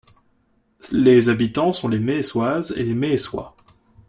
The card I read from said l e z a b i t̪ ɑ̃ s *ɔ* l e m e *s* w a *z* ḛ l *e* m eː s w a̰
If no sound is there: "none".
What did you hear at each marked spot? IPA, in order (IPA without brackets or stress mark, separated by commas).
ɔ̃, s, z, e